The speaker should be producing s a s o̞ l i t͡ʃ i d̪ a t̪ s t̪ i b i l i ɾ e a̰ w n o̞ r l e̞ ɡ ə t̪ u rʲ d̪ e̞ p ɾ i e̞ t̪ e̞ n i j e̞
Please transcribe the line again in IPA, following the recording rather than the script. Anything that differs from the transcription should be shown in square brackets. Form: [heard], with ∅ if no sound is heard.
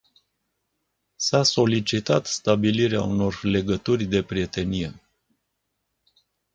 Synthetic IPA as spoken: s a s o̞ l i t͡ʃ i [t̪] a t̪ s t̪ [a] b i l i ɾ e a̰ [u] n o̞ r l e̞ ɡ ə t̪ u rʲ d̪ e̞ p ɾ i e̞ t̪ e̞ n i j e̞